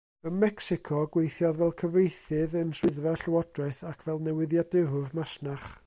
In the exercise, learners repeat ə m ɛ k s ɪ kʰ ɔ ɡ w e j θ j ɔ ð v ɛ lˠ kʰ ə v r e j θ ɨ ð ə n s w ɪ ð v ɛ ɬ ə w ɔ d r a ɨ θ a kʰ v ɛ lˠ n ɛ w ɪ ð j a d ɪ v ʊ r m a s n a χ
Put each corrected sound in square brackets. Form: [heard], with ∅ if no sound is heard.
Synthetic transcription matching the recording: ə m ɛ k s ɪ kʰ ɔ ɡ w e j θ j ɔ ð v ɛ lˠ kʰ ə v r e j θ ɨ ð ə n s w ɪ ð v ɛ ɬ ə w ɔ d r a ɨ θ a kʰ v ɛ lˠ n ɛ w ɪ ð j a d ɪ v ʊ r m a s n a χ